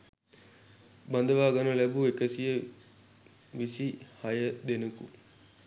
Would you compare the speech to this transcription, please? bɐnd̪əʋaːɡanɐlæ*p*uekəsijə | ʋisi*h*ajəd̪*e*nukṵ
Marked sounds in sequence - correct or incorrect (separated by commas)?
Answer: incorrect, correct, correct